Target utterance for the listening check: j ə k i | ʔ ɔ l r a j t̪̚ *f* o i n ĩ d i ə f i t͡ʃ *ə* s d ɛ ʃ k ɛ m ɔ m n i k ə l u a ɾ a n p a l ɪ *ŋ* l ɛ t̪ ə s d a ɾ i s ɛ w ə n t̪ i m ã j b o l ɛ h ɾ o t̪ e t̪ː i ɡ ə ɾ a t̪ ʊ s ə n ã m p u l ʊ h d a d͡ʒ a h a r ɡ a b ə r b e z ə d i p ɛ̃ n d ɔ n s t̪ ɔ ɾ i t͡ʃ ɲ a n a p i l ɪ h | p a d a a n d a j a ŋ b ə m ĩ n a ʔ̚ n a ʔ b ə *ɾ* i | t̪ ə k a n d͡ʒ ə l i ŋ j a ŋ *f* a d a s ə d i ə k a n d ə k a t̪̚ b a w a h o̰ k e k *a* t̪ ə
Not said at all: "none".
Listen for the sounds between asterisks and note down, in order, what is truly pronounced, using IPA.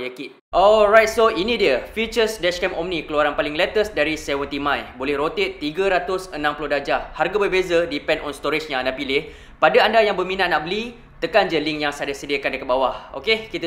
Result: s, ə, ŋ, l, s, i

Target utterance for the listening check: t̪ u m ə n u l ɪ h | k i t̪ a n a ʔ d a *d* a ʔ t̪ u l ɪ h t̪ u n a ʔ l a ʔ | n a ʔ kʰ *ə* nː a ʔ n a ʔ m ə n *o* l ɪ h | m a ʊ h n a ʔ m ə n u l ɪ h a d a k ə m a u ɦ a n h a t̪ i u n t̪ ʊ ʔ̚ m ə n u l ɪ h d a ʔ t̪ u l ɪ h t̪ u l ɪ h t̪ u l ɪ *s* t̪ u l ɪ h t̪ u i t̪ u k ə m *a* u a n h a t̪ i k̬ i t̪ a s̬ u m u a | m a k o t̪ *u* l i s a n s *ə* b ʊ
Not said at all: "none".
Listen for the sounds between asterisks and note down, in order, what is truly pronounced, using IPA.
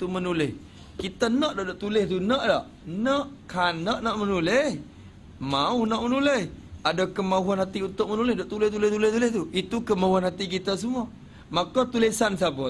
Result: d, a, u, h, a, u, a

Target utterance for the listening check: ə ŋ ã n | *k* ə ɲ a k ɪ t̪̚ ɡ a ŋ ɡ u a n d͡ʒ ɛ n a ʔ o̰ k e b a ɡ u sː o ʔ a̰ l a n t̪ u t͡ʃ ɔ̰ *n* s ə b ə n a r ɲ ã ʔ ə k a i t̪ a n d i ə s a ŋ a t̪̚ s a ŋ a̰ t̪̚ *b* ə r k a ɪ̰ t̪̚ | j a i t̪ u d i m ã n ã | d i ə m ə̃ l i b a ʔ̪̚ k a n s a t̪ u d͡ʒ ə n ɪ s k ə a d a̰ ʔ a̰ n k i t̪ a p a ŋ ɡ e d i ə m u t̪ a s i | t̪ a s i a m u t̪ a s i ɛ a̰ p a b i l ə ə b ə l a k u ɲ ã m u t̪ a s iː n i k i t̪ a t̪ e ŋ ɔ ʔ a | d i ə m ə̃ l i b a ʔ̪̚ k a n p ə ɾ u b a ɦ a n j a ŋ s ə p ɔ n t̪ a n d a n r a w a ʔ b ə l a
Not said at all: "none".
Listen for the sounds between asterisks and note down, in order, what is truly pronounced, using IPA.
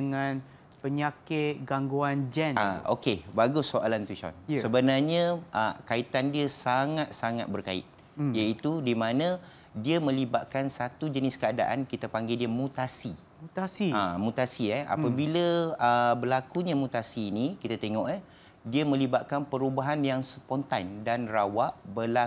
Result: p, n, b

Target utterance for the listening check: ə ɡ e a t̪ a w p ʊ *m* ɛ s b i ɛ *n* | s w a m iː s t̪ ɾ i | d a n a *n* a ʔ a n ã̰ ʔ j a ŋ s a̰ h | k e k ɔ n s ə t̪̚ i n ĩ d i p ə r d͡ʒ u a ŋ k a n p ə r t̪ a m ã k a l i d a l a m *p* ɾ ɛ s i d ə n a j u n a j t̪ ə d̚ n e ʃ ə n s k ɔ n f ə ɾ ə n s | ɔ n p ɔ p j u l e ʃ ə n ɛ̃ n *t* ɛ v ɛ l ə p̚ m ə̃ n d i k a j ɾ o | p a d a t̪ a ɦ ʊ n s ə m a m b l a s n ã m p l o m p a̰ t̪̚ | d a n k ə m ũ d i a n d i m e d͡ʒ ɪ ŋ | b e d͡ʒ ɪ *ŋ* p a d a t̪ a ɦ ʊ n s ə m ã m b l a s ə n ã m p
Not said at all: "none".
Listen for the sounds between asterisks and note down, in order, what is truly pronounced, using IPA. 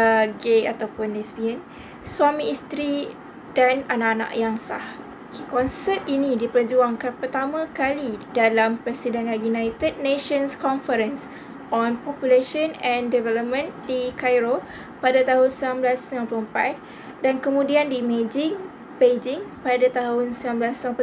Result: n, n, n, p, d, ŋ

